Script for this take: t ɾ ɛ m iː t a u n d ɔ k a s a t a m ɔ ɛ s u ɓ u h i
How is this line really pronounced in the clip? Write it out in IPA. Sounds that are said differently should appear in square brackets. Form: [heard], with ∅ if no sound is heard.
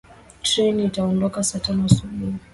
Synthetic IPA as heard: t ɾ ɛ [n] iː t a [ɔ] n d ɔ k a s a t a [n] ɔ [a] s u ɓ u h i